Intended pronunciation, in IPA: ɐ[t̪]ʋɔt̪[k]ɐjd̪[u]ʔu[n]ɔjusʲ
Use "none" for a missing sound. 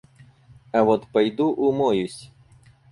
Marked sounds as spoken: none, p, u, m

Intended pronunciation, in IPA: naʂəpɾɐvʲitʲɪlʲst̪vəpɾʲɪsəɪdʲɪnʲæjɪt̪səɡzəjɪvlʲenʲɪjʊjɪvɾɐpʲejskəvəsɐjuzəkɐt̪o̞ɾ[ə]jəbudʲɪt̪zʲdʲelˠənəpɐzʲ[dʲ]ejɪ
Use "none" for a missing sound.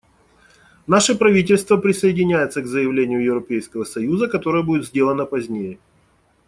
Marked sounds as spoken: ə, nʲ

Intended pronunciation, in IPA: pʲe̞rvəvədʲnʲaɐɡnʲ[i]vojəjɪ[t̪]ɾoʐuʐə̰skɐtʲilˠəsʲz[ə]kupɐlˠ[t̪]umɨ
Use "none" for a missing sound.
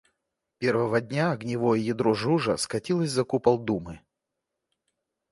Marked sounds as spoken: ɪ, d̪, ɐ, d̪

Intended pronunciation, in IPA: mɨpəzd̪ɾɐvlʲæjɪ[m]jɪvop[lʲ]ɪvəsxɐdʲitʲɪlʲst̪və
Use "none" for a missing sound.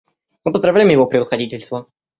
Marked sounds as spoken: m, ɾʲ

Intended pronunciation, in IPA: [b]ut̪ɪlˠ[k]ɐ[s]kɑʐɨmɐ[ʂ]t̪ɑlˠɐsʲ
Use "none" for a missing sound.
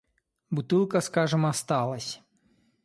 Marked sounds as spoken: b, k, s, s

